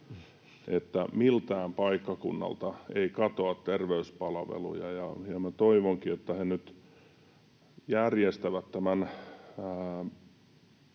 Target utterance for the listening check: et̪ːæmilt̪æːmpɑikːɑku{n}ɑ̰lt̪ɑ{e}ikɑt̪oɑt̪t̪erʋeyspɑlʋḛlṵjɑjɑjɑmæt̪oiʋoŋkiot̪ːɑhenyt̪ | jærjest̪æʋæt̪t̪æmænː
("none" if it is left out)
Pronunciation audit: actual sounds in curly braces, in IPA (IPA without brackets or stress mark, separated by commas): nː, e